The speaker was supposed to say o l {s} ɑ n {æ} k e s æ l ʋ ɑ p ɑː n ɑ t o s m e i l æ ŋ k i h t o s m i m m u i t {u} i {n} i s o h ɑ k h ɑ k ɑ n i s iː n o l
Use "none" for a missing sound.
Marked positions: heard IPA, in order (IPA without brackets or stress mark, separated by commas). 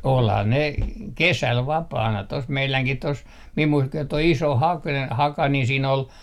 h, e, o, none